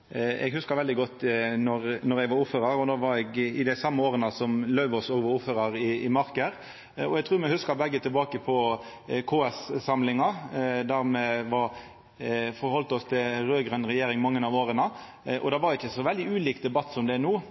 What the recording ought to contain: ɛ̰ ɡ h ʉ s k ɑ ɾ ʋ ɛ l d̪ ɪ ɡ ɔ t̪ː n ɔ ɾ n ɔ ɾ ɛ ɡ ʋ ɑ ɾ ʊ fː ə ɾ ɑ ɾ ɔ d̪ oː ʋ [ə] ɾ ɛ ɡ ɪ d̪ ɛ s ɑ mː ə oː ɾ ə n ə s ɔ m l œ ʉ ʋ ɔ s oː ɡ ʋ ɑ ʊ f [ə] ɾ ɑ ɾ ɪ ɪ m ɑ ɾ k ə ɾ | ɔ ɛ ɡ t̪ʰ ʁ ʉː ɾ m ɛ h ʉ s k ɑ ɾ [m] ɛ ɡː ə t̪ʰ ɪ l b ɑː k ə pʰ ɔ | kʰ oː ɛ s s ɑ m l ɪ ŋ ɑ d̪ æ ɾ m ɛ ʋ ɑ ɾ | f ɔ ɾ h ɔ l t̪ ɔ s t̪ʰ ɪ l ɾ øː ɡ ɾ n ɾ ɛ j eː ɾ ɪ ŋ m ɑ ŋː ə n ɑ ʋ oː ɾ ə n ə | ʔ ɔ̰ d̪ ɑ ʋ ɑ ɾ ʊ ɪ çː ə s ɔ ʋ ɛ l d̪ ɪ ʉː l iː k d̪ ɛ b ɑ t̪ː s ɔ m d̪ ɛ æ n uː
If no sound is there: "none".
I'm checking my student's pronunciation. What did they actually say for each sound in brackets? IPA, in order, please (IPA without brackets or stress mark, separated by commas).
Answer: ɑ, ə, b